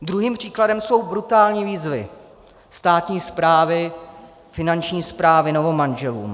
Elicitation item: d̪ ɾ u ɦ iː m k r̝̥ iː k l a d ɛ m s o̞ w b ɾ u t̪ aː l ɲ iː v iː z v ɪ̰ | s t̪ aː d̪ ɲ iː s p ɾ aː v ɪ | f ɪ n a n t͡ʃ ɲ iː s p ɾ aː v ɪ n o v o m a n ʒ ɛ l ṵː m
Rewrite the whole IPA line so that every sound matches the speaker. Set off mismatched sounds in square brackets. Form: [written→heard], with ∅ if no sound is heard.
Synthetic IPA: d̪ ɾ u ɦ iː m [k→p] r̝̥ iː k l a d ɛ m s o̞ w b ɾ u t̪ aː l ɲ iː v iː z v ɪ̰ | s t̪ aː [d̪→t̪] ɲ iː s p ɾ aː v ɪ | f ɪ n a n t͡ʃ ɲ iː s p ɾ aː v ɪ n o v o m a n ʒ ɛ l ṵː m